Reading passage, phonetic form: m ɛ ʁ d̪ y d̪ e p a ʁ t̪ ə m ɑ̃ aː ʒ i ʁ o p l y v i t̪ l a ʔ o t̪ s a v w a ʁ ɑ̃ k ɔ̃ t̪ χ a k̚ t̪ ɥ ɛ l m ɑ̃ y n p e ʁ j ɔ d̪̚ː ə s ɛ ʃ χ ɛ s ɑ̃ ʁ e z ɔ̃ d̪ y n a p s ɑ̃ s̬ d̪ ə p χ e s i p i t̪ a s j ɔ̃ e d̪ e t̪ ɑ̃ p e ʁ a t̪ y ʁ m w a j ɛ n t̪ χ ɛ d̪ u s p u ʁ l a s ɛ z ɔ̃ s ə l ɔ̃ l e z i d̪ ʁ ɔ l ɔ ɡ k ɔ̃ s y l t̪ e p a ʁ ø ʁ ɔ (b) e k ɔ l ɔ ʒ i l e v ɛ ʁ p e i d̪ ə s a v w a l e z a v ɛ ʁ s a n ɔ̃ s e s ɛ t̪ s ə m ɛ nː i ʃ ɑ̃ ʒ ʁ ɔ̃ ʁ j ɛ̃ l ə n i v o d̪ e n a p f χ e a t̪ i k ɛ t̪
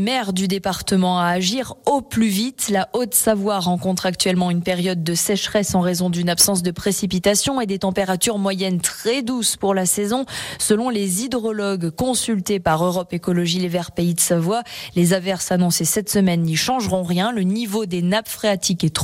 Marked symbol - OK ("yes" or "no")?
no